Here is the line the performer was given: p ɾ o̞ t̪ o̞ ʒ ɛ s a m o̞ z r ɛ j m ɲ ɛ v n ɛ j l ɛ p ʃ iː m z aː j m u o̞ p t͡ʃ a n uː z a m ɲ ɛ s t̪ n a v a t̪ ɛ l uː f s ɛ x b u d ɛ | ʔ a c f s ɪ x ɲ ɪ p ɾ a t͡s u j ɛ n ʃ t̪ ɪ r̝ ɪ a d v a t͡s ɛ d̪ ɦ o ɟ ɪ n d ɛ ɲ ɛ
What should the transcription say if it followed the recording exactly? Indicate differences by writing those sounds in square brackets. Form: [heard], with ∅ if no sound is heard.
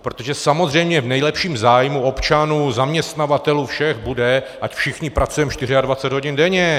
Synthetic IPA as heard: p ɾ o̞ t̪ o̞ ʒ ɛ s a m o̞ z r ɛ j m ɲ ɛ v n ɛ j l ɛ p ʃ iː m z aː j m u o̞ p t͡ʃ a n uː z a m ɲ ɛ s t̪ n a v a t̪ ɛ l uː f [ʃ] ɛ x b u d ɛ | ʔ a c f [ʃ] ɪ x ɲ ɪ p ɾ a t͡s u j ɛ [m] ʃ t̪ ɪ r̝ ɪ a d v a t͡s ɛ d̪ ɦ o ɟ ɪ n d ɛ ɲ ɛ